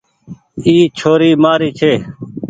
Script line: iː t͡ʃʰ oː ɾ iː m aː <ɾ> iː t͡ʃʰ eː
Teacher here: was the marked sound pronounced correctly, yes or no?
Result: yes